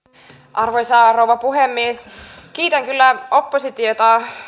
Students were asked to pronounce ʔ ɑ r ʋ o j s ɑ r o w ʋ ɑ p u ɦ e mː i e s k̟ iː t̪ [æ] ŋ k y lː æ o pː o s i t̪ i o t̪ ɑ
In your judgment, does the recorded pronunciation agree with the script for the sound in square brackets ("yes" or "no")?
yes